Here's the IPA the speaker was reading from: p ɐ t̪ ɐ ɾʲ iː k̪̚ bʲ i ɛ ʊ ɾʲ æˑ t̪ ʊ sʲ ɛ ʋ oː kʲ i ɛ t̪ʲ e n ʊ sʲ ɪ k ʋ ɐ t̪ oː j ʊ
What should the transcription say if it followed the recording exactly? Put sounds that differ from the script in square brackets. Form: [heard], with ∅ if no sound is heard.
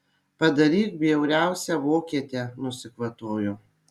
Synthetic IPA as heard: p ɐ [d̪] ɐ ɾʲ iː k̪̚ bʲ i ɛ ʊ ɾʲ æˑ [∅] ʊ sʲ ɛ ʋ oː kʲ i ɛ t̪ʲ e n ʊ sʲ ɪ k ʋ ɐ t̪ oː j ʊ

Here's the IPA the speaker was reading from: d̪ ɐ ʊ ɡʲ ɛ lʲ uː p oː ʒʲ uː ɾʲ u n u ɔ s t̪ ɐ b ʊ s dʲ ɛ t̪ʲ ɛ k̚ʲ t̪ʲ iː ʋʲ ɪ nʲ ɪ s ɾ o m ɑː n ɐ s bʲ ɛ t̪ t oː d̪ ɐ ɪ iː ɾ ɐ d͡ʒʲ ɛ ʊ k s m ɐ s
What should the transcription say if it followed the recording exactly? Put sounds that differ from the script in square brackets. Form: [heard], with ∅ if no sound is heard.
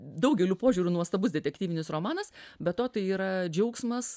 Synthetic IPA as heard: d̪ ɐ ʊ ɡʲ ɛ lʲ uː p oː ʒʲ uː ɾʲ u n u ɔ s t̪ ɐ b ʊ s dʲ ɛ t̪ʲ ɛ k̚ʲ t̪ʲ iː ʋʲ ɪ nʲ ɪ s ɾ o m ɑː n ɐ s bʲ ɛ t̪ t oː [t̪] ɐ ɪ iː ɾ ɐ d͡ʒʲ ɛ ʊ k s m ɐ s

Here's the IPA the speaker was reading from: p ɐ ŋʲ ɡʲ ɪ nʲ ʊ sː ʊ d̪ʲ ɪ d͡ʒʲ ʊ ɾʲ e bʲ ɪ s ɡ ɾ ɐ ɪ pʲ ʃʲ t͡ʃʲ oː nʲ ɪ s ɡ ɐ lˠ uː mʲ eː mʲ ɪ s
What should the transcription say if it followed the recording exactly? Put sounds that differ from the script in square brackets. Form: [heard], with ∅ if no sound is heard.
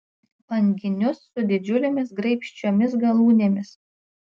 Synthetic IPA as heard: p ɐ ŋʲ ɡʲ ɪ nʲ ʊ sː ʊ d̪ʲ ɪ d͡ʒʲ ʊ [lʲ] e [mʲ] ɪ s ɡ ɾ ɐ ɪ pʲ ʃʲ t͡ʃʲ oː [mʲ] ɪ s ɡ ɐ lˠ uː [nʲ] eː mʲ ɪ s

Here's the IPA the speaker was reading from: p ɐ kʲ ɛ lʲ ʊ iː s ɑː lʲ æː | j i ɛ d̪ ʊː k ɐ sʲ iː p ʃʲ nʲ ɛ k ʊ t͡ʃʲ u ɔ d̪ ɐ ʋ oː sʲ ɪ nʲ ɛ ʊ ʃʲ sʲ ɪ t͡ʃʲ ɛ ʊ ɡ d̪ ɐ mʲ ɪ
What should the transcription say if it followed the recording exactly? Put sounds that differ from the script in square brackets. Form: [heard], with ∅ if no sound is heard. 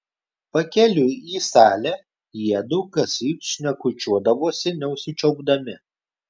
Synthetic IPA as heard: p ɐ kʲ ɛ lʲ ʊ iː s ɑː lʲ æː | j i ɛ d̪ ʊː k ɐ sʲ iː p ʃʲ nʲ ɛ k ʊ t͡ʃʲ u ɔ d̪ ɐ ʋ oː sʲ ɪ nʲ ɛ ʊ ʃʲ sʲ ɪ t͡ʃʲ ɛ ʊ ɡ d̪ ɐ mʲ ɪ

